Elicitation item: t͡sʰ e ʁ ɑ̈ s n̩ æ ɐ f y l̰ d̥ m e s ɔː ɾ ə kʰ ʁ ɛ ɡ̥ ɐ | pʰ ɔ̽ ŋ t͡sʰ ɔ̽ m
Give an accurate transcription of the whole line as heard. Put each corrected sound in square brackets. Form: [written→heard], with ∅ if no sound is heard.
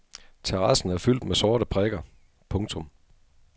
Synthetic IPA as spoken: t͡sʰ e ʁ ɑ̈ s n̩ æ ɐ f y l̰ d̥ m e s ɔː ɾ ə [kʰ→pʰ] ʁ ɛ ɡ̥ ɐ | pʰ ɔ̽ ŋ t͡sʰ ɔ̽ m